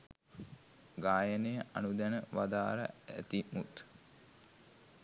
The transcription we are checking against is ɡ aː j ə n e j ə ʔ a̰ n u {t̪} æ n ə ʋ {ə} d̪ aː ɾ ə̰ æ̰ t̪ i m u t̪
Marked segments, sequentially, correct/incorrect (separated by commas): incorrect, incorrect